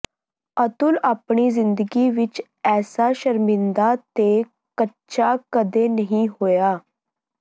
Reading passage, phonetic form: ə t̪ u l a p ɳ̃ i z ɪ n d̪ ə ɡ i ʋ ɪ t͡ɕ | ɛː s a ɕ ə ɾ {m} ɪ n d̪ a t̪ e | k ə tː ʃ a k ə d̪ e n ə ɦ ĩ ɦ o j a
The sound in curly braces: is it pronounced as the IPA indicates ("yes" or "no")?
yes